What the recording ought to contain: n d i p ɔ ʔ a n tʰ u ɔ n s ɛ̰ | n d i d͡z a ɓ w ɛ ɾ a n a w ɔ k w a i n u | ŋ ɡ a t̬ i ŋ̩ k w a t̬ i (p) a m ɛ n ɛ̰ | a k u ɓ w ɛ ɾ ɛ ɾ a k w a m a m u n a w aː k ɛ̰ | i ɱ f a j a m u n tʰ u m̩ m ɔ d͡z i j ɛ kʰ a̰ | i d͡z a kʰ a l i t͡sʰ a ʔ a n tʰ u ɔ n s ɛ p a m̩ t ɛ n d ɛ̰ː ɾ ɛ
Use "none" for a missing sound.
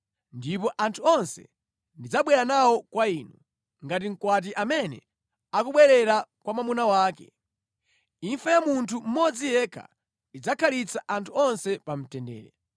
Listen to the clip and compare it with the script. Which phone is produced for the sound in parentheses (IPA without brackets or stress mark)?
ʔ